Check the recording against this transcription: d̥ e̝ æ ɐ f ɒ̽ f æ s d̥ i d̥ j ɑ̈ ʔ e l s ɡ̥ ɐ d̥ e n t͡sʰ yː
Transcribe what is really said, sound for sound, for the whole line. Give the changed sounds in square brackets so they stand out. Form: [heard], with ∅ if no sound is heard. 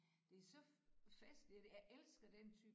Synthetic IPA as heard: d̥ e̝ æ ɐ [s] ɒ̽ f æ s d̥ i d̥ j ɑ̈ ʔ e l s ɡ̥ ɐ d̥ e n t͡sʰ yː